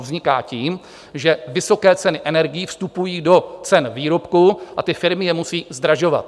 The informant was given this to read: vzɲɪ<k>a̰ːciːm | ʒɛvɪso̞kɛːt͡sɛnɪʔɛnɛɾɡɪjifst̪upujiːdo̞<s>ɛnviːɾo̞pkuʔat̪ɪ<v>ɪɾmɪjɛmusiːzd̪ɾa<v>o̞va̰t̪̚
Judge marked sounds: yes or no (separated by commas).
yes, no, no, no